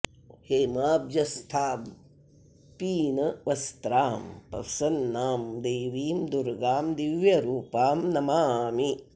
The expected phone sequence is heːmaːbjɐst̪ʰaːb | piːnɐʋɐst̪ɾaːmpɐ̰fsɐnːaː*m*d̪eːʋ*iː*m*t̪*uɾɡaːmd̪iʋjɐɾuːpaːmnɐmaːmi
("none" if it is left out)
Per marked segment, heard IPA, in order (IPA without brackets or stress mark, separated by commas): m, iː, d̪